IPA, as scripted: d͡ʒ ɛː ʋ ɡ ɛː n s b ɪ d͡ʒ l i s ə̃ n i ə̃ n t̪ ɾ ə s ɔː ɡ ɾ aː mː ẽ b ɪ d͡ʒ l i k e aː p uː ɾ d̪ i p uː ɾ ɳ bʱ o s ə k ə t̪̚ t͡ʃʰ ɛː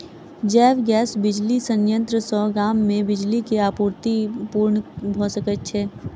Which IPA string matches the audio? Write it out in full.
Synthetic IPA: d͡ʒ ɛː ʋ ɡ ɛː s b ɪ d͡ʒ l i s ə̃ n j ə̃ n t̪ ɾ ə s ɔː ɡ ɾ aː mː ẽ b ɪ d͡ʒ l i k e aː p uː ɾ t̪ i p uː ɾ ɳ bʱ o s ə k ə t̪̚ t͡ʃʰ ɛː